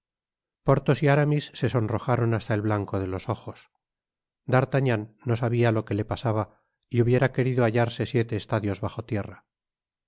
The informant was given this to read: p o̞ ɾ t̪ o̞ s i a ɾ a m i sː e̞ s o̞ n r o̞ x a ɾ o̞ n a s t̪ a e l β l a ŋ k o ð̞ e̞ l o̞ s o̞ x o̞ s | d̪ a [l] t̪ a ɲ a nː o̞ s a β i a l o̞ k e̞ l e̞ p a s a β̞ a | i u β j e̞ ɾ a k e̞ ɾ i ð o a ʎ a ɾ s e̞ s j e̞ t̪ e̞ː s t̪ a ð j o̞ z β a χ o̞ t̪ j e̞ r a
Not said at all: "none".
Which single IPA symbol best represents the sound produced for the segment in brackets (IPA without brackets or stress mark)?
ɾ